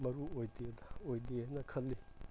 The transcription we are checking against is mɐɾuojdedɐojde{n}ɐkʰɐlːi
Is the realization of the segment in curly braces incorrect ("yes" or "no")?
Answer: no